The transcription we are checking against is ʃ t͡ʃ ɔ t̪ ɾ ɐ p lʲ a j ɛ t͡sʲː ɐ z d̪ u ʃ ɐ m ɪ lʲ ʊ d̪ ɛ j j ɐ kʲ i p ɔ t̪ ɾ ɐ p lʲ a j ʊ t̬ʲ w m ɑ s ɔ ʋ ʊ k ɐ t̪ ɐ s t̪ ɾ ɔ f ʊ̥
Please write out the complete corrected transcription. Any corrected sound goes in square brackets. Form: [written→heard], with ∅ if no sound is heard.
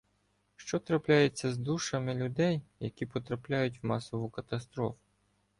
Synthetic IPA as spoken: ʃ t͡ʃ ɔ t̪ ɾ ɐ p lʲ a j [ɛ→e] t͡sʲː ɐ z d̪ u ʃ ɐ m ɪ lʲ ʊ d̪ ɛ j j ɐ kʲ i p ɔ t̪ ɾ ɐ p lʲ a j ʊ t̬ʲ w m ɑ s ɔ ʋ ʊ k ɐ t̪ ɐ s t̪ ɾ ɔ f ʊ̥